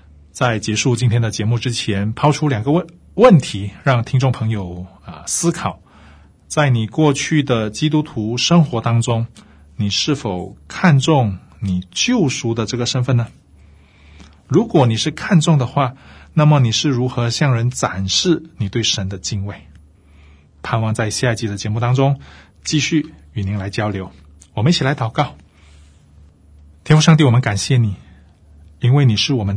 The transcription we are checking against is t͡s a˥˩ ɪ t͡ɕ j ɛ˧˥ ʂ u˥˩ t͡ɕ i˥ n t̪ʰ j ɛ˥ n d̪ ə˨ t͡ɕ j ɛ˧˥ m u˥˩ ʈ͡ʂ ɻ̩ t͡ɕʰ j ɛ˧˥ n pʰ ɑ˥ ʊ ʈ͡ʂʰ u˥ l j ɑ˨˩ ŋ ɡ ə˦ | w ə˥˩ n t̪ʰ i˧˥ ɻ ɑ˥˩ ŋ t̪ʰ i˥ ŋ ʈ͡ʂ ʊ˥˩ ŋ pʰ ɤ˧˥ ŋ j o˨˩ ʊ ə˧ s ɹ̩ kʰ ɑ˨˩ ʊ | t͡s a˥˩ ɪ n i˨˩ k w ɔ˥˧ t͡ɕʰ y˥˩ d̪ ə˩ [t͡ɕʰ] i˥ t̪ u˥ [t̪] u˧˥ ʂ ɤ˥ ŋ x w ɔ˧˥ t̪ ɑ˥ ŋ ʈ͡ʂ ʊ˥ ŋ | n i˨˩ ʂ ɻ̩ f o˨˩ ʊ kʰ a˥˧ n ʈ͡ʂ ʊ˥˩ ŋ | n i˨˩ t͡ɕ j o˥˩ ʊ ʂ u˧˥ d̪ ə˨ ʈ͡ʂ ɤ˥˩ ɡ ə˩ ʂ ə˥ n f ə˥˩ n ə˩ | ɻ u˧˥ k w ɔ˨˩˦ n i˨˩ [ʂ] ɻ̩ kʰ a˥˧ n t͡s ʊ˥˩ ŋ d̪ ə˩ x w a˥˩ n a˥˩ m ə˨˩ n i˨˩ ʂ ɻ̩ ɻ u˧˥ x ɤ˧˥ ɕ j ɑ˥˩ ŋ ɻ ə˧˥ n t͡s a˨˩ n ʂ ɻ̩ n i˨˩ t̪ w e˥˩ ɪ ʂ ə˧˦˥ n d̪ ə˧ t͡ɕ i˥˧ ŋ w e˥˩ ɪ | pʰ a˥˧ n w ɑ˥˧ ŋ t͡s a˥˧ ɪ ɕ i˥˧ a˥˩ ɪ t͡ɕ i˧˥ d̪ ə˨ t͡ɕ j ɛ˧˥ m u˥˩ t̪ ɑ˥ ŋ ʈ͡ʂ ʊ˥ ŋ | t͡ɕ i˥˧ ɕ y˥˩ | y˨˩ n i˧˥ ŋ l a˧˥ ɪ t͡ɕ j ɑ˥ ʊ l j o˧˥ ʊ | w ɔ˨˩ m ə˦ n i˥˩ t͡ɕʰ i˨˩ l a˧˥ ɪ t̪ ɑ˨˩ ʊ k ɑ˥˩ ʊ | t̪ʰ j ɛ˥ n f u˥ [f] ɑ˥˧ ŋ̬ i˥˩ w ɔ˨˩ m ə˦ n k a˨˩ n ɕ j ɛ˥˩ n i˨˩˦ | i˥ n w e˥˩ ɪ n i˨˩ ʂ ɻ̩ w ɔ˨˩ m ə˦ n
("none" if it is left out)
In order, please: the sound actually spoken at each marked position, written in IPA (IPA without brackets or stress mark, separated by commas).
t͡ɕ, t̪ʰ, ʂ, ʂ